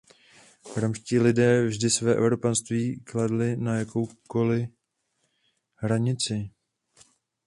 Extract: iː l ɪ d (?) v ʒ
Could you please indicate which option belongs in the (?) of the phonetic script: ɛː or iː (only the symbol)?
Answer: ɛː